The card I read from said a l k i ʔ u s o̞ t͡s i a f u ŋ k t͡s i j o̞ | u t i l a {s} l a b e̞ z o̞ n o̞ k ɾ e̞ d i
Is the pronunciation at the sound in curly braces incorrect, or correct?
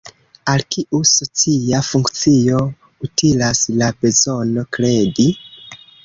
correct